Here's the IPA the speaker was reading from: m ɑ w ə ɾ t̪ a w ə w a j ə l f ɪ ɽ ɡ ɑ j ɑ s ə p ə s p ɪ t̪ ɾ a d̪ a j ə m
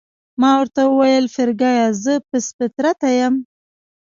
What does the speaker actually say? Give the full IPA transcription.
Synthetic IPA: m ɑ w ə ɾ t̪ a w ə w a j ə l f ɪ ɾ ɡ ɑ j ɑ z ə p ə s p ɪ t̪ ɾ a t̪ a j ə m

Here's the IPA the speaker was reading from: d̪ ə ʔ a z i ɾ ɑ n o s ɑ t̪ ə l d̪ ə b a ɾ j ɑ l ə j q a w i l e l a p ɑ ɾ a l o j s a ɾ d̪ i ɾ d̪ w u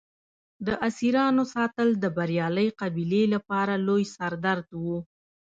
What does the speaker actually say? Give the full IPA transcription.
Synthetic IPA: d̪ ə ʔ a s i ɾ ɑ n o s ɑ t̪ ə l d̪ ə b a ɾ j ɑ l ə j q a b i l e l a p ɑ ɾ a l o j s a ɾ d̪ a ɾ d̪ w u

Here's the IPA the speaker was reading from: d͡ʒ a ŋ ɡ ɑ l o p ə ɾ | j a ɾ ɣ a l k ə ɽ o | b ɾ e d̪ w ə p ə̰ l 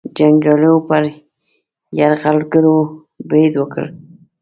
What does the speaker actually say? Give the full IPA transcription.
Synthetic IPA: d͡ʒ a ŋ ɡ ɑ l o p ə ɾ | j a ɾ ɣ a l ɡ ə ɾ o | b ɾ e d̪ w ə k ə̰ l

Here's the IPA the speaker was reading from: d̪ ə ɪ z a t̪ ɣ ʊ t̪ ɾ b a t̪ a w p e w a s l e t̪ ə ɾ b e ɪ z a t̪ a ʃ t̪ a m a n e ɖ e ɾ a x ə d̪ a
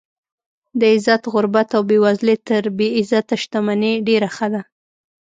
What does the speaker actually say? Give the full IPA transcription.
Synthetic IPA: d̪ ə ɪ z a t̪ ɣ ʊ ɾ b a t̪ a w b e w a z l e t̪ ə ɾ b e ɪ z a t̪ a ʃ t̪ a m a n e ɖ e ɾ a x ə d̪ a

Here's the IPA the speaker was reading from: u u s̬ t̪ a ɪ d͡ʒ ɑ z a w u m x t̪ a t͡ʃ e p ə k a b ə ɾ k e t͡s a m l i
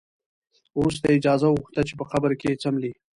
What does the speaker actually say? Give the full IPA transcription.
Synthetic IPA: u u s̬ t̪ a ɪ d͡ʒ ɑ z a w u x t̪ a t͡ʃ e p ə x a b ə ɾ k e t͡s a m l i

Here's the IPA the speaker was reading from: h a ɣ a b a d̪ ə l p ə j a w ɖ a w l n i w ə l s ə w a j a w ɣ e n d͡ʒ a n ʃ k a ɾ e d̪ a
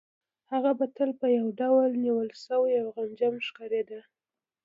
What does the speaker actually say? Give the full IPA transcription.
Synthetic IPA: h a ɣ a b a t̪ ə l p ə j a w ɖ a w l n i w ə l s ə w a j a w ɣ a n d͡ʒ a m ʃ k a ɾ e d̪ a

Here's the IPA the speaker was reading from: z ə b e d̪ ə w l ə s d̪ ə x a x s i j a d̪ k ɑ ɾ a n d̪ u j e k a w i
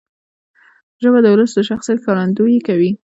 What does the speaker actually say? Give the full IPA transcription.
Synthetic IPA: ʒ ə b a d̪ ə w l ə s d̪ ə ʃ a x s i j a t̪ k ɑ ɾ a n d̪ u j e k a w i

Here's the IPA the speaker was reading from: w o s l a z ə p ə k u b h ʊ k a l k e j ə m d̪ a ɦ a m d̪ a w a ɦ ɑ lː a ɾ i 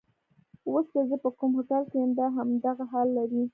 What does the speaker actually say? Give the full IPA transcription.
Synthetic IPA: w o s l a z ə p ə k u m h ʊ k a l k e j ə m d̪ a ɦ a m d̪ a ɣ a ɦ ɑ lː a ɾ i

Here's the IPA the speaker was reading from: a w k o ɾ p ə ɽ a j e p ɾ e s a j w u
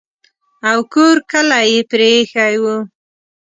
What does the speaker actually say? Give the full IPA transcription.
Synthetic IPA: a w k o ɾ k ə l a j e p ɾ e x a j w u

